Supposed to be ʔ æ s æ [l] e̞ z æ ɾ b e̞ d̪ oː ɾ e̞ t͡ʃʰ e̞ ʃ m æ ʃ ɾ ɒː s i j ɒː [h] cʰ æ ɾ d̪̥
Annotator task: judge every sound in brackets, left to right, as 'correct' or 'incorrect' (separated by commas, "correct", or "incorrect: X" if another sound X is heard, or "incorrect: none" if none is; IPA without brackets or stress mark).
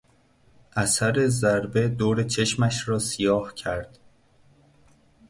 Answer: incorrect: ɾ, correct